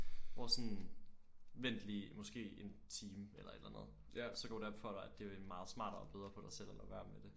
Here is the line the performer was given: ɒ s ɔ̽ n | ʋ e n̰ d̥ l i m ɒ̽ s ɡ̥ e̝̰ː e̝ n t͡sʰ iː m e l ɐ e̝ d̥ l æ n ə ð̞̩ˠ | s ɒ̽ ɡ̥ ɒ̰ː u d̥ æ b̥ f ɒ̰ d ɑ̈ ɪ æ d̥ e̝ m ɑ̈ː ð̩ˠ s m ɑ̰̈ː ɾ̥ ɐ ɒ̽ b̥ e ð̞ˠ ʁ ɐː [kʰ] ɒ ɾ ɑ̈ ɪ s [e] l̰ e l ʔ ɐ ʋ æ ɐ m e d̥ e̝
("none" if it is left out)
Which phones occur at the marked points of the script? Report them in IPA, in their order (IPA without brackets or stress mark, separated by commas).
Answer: pʰ, e